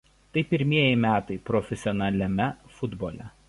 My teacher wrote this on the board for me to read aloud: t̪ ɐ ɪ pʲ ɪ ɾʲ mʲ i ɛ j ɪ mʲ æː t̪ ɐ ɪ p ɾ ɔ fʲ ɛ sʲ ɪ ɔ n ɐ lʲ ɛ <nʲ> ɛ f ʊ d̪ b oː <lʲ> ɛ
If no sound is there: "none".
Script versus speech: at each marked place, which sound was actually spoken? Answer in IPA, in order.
mʲ, lʲ

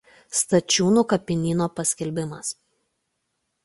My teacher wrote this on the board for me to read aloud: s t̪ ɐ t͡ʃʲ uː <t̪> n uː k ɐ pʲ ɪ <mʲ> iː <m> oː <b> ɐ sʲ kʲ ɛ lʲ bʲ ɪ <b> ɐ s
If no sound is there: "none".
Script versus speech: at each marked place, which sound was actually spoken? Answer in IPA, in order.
none, nʲ, n, p, m

